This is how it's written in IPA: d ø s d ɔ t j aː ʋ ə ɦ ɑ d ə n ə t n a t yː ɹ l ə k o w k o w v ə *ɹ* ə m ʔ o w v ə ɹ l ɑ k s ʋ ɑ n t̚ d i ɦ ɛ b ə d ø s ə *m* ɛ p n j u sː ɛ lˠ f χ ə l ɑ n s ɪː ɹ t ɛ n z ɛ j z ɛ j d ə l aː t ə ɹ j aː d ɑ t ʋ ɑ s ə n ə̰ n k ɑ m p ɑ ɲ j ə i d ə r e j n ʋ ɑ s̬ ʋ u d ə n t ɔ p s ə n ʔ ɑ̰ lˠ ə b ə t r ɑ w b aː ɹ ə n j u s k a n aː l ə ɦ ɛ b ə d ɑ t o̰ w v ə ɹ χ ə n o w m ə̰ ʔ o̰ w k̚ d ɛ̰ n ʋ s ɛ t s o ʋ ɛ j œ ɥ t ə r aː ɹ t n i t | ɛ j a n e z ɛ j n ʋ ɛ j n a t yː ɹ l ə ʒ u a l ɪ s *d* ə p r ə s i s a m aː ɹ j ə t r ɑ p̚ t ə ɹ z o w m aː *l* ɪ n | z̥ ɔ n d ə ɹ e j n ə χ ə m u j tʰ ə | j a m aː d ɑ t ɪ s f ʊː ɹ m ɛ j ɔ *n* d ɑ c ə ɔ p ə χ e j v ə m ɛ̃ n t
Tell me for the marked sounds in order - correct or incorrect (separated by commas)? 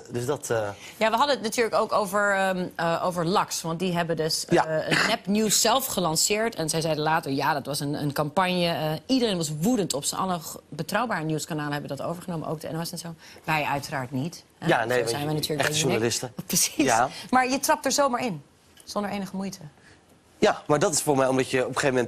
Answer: correct, incorrect, incorrect, incorrect, incorrect